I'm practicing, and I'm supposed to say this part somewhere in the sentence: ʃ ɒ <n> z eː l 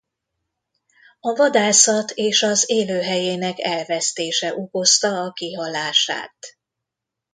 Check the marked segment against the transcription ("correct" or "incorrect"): incorrect